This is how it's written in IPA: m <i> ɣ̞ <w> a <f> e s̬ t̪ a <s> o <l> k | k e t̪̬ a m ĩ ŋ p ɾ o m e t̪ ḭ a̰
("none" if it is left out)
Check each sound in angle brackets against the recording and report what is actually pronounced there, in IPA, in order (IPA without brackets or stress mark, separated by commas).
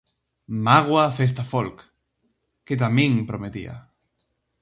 a, w, f, f, l